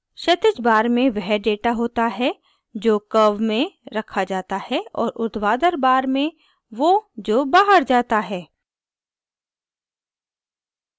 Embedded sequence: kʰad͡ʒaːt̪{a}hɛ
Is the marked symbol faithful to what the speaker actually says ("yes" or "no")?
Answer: yes